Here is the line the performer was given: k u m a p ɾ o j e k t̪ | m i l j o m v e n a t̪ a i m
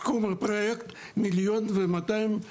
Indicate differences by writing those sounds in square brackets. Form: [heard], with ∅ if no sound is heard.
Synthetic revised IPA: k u m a p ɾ o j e k t̪ | m i l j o [n] v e [m] a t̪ a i m